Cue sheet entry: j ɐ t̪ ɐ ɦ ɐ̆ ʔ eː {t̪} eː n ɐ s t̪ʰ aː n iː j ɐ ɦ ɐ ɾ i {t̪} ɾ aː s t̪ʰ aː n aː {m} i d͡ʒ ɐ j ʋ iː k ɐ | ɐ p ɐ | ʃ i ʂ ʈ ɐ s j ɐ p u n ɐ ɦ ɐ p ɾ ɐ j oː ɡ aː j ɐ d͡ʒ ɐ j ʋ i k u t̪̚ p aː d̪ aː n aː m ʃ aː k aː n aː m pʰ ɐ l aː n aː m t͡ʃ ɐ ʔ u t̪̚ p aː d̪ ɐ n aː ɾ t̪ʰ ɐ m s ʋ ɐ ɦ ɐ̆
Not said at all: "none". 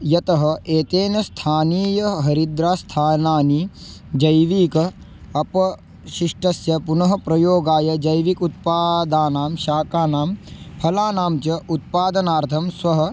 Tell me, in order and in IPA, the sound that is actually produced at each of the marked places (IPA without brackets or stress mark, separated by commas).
t̪, d̪, n